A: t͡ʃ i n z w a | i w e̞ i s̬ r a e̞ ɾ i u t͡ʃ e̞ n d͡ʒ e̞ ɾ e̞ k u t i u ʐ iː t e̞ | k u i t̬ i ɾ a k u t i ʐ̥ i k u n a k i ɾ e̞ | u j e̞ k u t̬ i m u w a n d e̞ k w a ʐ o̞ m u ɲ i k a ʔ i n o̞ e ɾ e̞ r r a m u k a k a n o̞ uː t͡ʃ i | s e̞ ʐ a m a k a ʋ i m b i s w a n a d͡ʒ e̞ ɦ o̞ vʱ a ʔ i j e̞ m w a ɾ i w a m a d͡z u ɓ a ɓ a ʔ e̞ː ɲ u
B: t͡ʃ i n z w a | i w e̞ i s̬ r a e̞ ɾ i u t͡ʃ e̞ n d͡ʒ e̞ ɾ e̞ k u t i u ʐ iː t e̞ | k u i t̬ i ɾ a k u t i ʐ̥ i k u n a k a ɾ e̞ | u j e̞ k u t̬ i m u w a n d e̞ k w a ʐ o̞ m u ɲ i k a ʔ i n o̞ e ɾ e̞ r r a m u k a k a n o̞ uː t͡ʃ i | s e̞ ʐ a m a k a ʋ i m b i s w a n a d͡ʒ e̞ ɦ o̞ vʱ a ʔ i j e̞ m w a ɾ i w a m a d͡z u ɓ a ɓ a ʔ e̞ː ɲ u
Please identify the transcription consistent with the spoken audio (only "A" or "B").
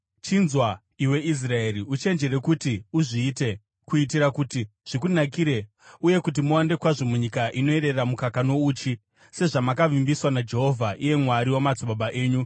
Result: A